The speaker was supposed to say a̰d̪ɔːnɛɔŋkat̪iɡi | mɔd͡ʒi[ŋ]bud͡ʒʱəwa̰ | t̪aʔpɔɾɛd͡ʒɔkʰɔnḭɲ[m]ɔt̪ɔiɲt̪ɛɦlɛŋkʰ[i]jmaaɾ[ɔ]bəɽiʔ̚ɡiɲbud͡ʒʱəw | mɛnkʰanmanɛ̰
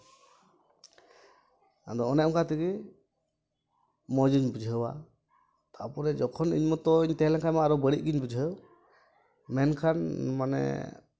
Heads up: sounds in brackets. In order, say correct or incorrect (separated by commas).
incorrect, correct, incorrect, correct